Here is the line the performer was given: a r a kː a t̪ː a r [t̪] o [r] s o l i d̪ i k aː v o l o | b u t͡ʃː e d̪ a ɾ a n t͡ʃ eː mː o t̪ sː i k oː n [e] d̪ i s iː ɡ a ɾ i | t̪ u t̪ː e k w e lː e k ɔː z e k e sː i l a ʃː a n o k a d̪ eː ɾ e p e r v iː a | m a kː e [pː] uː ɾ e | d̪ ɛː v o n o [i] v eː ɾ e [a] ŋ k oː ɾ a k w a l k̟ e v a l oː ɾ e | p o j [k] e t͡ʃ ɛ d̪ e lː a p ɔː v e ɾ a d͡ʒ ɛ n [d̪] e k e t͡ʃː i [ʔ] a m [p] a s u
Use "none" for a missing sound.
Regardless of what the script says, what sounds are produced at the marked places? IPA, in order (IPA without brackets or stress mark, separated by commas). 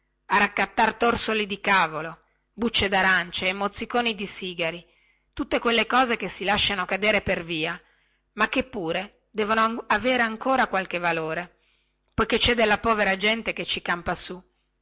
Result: t̪, r, i, pː, a, a, k, t̪, k, p